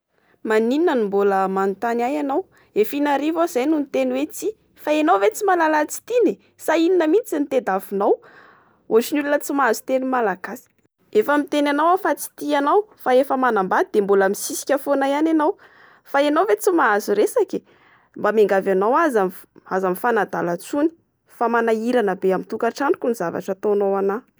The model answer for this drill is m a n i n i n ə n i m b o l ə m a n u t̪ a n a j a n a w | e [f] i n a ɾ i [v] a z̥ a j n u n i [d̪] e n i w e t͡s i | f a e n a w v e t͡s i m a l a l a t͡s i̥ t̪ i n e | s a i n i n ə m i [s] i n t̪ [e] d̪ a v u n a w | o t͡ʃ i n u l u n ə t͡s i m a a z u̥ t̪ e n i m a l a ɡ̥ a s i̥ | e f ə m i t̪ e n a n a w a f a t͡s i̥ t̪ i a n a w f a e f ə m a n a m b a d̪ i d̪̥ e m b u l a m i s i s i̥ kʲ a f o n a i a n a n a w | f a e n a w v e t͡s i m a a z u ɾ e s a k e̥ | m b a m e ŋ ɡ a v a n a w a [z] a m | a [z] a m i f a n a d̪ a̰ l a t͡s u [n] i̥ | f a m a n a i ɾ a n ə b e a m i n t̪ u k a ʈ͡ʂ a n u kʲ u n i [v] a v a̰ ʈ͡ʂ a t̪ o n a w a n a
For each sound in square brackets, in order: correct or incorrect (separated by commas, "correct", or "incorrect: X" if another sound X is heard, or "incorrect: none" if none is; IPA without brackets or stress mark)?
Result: correct, correct, incorrect: t̪, incorrect: t͡s, correct, correct, correct, correct, incorrect: z